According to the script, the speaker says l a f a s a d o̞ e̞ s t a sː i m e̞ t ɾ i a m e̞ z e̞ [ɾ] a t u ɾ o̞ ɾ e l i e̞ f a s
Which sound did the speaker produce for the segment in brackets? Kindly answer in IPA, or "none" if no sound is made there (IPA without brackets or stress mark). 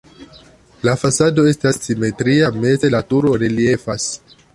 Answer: l